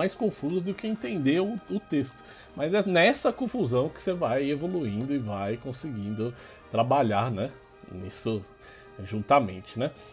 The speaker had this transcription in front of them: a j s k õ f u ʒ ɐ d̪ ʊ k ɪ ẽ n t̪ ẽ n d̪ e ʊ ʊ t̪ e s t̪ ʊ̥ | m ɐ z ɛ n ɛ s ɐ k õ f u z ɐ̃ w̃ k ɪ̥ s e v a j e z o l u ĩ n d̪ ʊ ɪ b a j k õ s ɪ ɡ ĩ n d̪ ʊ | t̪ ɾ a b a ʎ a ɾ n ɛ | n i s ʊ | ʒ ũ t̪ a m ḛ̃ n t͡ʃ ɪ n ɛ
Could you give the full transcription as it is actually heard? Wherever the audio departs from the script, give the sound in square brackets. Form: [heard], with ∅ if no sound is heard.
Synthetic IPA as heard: a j s k õ f u [z] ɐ d̪ ʊ k ɪ ẽ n t̪ ẽ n d̪ e ʊ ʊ t̪ e s t̪ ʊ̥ | m ɐ z ɛ n ɛ s ɐ k õ f u z ɐ̃ w̃ k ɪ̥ s e v a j e [v] o l u ĩ n d̪ ʊ ɪ [v] a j k õ s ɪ ɡ ĩ n d̪ ʊ | t̪ ɾ a b a ʎ a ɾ n ɛ | n i s ʊ | ʒ ũ t̪ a m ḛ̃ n t͡ʃ ɪ n ɛ